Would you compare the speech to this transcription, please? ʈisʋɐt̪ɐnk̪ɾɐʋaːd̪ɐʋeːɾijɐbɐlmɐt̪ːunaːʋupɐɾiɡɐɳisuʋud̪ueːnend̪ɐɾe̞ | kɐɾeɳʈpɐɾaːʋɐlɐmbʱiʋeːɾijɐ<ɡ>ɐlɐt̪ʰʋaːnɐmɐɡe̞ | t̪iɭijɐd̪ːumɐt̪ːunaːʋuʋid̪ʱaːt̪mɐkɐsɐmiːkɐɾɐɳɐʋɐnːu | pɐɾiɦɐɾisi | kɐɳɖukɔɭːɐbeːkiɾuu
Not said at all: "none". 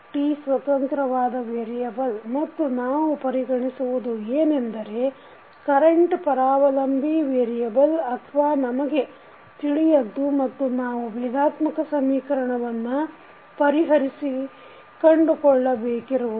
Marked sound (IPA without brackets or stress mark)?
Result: b